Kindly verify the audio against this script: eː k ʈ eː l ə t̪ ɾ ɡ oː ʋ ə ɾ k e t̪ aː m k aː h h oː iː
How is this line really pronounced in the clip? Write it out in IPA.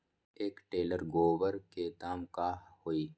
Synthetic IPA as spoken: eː k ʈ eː l ə ɾ ɡ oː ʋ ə ɾ k e t̪ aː m k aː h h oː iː